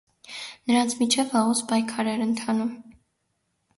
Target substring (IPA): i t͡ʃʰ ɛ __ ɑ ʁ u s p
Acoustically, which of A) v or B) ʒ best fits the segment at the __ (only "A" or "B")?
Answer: A